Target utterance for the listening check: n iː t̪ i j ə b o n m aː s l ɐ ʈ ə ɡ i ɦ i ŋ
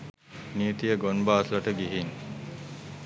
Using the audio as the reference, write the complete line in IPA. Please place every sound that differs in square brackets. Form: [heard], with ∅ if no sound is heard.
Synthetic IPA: n iː t̪ i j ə [ɡ] o n [b] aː s l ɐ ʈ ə ɡ i ɦ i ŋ